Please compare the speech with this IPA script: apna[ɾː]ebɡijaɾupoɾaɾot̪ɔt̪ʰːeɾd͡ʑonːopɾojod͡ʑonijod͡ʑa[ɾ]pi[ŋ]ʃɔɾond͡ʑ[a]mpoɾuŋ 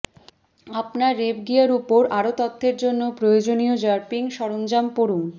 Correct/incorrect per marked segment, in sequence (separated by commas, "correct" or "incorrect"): correct, correct, correct, correct